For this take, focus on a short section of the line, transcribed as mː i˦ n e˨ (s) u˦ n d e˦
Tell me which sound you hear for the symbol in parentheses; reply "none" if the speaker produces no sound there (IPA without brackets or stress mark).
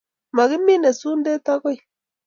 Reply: s